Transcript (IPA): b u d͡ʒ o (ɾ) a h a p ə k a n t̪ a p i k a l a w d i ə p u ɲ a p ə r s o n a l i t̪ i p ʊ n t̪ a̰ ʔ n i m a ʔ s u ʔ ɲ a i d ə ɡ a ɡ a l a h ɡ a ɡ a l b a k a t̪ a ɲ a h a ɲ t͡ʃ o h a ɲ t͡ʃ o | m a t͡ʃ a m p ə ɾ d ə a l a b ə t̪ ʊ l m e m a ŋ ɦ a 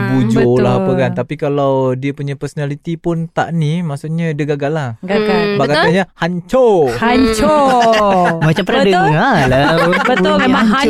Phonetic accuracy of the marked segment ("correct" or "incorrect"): incorrect